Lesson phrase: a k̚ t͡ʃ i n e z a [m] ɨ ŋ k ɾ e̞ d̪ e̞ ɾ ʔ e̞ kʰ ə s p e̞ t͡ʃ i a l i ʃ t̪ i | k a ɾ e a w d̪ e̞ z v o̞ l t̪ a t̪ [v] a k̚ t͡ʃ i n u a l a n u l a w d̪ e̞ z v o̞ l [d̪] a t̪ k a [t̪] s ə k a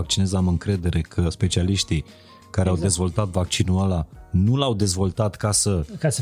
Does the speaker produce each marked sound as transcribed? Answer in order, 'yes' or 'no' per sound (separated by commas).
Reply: yes, yes, no, no